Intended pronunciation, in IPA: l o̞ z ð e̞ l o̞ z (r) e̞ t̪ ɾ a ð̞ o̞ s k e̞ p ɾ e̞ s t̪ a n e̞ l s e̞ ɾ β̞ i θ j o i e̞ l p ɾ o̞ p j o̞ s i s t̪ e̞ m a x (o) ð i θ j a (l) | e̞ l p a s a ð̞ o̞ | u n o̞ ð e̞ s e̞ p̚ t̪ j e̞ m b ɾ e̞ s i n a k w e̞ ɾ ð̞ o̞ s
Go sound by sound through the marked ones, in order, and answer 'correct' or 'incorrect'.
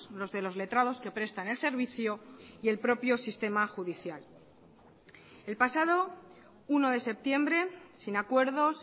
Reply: incorrect: l, incorrect: u, correct

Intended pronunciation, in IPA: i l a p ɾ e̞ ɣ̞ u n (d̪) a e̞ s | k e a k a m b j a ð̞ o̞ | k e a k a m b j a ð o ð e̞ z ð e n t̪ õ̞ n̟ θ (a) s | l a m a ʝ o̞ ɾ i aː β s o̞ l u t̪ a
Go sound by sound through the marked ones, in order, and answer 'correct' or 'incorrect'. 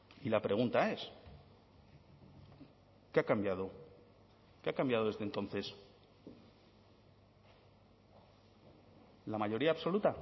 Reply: incorrect: t̪, incorrect: e

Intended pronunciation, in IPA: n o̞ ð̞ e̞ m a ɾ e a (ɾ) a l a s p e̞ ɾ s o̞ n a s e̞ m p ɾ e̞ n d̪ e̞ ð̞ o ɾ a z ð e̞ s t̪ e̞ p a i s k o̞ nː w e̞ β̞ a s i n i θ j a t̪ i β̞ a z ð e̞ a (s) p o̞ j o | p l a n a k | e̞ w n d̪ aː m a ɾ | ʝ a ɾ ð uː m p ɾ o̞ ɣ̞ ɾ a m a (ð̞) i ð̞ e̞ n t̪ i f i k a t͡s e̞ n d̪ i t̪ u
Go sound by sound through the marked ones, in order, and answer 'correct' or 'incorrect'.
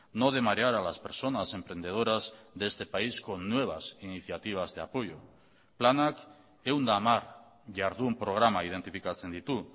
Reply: correct, incorrect: none, incorrect: none

